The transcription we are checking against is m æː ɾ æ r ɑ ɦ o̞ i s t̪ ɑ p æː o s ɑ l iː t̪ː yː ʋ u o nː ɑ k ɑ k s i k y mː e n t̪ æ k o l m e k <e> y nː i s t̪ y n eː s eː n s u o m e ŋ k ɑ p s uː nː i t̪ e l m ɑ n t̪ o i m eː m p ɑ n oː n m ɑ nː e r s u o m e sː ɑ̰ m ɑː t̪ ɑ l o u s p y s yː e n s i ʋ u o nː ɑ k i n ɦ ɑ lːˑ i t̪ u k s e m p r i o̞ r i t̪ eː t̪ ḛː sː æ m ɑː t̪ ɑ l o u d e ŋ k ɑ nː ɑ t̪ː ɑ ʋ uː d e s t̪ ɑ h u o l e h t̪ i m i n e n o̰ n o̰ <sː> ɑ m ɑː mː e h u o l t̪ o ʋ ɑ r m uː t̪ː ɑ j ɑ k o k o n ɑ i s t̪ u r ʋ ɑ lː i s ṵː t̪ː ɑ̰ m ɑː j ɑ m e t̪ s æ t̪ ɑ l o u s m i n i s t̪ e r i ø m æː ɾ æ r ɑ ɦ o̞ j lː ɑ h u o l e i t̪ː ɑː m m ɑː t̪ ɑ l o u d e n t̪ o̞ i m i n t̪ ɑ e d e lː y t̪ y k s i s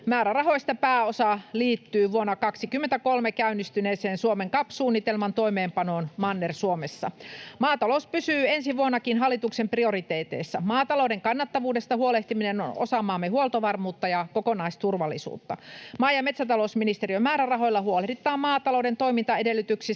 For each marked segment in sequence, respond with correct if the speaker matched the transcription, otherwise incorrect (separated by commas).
incorrect, incorrect